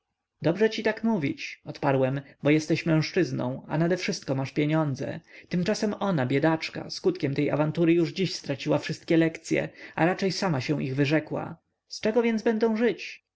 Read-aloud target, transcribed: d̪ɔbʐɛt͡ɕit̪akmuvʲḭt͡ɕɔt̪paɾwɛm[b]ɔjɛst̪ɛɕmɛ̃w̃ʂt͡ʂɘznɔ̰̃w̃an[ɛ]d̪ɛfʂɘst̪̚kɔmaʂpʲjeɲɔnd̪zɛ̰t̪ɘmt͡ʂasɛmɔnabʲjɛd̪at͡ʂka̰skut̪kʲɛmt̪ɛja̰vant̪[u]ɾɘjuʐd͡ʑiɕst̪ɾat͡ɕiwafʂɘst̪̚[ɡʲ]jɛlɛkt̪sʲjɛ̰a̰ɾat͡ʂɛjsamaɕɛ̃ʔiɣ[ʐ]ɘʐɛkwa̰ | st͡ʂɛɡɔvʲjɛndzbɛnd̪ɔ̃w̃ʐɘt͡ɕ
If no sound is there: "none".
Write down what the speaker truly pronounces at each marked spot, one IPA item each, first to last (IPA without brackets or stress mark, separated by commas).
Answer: b, a, u, kʲ, v